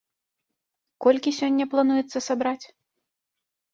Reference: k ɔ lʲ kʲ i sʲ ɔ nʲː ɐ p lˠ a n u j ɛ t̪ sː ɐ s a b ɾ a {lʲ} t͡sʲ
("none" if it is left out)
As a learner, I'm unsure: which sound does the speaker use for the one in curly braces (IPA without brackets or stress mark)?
none